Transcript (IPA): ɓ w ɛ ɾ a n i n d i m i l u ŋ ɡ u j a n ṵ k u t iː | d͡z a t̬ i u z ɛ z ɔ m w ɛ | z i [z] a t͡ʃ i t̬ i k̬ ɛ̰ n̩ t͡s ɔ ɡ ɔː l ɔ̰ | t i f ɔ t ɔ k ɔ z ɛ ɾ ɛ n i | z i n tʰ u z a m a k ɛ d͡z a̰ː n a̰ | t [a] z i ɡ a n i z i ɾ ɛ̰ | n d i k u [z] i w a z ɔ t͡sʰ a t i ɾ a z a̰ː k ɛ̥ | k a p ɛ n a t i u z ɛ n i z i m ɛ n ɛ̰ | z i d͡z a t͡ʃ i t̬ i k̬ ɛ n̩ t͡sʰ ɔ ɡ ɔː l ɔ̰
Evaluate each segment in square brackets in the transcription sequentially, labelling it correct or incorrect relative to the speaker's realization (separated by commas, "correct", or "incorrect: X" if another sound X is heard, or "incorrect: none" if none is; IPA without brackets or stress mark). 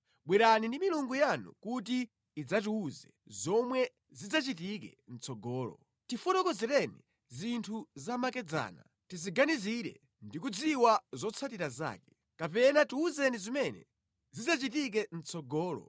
incorrect: d͡z, incorrect: i, incorrect: d͡z